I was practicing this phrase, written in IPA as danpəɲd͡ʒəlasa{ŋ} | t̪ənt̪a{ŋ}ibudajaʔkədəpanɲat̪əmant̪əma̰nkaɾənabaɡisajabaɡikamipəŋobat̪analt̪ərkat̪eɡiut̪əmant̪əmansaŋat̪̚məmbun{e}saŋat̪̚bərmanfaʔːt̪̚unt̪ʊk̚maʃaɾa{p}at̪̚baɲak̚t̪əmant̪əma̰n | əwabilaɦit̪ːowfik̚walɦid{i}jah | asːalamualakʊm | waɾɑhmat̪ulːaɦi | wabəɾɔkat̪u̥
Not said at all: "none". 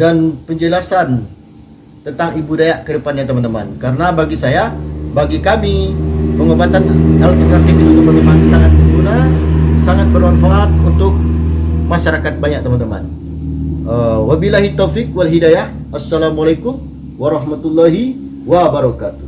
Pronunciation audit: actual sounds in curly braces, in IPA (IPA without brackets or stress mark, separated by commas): n, ŋ, a, k, a